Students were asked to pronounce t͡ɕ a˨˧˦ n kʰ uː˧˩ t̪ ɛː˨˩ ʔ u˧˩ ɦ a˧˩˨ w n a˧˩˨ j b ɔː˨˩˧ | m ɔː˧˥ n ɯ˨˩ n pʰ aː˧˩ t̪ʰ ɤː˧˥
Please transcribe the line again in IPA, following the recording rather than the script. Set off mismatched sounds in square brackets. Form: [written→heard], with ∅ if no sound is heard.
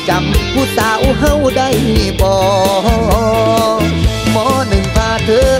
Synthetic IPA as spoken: t͡ɕ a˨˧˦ [n→m] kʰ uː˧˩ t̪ [ɛː˨˩→aː˨˩] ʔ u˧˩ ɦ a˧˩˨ w [n→d] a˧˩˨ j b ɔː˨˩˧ | m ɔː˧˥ n ɯ˨˩ [n→ŋ] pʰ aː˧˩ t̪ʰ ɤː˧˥

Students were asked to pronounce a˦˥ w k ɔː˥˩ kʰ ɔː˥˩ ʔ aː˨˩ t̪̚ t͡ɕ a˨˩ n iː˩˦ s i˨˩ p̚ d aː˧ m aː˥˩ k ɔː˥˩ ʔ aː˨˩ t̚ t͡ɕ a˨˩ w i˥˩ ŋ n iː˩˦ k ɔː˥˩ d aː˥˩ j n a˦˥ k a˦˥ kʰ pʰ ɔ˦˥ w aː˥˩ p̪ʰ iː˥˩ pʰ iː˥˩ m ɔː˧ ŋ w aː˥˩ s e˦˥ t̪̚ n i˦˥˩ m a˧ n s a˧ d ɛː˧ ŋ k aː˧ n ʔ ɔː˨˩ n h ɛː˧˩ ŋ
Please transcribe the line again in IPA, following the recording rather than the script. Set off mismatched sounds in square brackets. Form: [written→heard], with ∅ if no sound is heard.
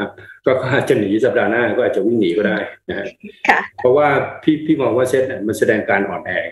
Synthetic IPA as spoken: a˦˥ [w→∅] k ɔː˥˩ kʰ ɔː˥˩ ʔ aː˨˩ t̪̚ t͡ɕ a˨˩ n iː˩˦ s [i˨˩→a˨˩] p̚ d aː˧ [m→n] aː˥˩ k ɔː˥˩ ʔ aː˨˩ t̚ t͡ɕ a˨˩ w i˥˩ ŋ n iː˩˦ k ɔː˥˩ d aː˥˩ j n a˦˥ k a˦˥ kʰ pʰ ɔ˦˥ w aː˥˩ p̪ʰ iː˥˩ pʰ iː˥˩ m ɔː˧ ŋ w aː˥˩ s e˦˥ t̪̚ n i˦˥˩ m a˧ n s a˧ d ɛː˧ ŋ k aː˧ n ʔ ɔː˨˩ n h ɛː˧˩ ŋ

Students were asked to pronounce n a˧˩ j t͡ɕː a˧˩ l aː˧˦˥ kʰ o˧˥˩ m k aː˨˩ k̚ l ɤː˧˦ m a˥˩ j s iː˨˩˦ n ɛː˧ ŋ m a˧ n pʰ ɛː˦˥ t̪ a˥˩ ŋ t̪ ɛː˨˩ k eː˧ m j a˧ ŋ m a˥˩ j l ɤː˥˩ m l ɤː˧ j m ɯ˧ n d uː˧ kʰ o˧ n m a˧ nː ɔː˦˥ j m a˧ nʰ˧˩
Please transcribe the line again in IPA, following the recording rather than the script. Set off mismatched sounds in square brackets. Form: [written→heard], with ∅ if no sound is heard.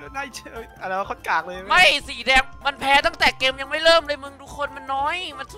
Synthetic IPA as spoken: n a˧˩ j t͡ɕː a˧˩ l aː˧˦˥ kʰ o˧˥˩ [m→n] k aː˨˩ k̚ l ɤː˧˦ m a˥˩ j s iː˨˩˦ [n→d] ɛː˧ ŋ m a˧ n pʰ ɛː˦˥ t̪ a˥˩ ŋ t̪ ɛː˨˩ k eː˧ m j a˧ ŋ m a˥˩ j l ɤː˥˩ m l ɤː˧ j m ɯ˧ [n→ŋ] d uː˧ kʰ o˧ n m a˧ nː ɔː˦˥ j m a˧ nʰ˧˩

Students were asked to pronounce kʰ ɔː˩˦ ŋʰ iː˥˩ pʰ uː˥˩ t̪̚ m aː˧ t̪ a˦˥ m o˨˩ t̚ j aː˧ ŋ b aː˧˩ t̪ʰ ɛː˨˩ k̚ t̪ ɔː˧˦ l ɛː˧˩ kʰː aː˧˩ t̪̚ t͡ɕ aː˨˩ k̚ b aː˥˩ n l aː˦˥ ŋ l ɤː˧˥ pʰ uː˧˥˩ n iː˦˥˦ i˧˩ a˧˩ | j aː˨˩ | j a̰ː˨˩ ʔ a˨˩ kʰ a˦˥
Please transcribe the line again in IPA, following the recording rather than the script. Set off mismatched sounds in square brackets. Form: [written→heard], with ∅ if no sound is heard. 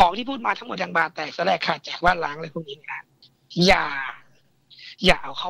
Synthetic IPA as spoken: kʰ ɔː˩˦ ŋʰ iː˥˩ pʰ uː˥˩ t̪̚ m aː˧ [t̪→t̪ʰ] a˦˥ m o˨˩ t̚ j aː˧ ŋ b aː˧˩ [t̪ʰ→t̪] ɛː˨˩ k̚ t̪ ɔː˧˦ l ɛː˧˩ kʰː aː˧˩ t̪̚ t͡ɕ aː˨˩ k̚ b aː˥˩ n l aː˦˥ ŋ l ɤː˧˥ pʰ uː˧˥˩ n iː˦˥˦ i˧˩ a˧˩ | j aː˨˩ | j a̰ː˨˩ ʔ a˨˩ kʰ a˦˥

